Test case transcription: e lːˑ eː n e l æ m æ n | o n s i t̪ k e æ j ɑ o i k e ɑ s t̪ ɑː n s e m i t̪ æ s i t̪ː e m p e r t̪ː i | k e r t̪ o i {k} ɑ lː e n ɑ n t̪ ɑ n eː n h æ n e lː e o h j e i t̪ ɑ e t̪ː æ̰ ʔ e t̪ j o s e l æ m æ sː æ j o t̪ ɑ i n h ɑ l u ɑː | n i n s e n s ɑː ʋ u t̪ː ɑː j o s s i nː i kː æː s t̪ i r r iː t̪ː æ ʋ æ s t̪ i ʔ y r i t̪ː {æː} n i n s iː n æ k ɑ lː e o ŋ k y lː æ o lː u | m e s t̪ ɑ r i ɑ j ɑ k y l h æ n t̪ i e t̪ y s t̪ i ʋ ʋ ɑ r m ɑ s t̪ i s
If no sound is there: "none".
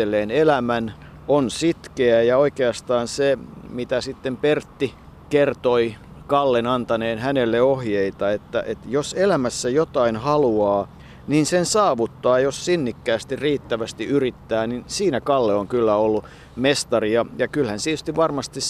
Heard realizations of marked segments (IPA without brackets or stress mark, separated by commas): k, æː